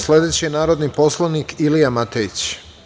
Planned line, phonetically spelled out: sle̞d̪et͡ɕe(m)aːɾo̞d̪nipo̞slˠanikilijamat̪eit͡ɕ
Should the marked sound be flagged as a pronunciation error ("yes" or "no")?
yes